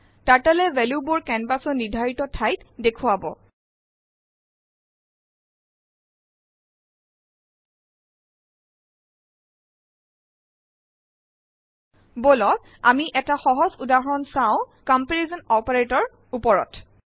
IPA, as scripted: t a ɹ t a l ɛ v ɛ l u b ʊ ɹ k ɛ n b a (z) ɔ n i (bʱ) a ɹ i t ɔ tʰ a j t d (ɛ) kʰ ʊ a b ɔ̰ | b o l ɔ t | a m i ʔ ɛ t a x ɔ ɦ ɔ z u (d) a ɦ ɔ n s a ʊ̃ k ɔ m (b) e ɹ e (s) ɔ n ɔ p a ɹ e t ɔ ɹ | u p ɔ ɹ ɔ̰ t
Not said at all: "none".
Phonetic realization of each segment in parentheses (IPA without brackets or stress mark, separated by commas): s, dʱ, e, d, p, z